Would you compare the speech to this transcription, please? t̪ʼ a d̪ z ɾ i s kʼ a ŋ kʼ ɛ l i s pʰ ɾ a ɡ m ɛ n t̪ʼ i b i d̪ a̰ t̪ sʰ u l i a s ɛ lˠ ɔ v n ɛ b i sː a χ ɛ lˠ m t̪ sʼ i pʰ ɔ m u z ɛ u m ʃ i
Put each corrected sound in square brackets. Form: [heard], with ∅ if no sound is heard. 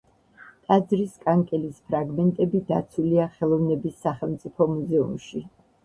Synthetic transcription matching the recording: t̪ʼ a d̪ z ɾ i s kʼ a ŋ kʼ ɛ l i s pʰ ɾ a ɡ m ɛ n t̪ʼ [ɛ] b i d̪ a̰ t̪ sʰ u l i a [χ] ɛ lˠ ɔ v n ɛ b i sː a χ ɛ lˠ m t̪ sʼ i pʰ ɔ m u z ɛ u m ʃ i